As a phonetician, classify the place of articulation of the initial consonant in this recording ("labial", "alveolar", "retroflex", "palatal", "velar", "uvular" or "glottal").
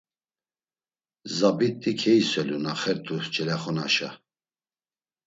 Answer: alveolar